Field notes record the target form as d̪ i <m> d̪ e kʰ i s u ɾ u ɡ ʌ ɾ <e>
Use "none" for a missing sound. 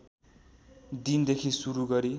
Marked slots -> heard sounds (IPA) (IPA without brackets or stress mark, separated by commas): n, i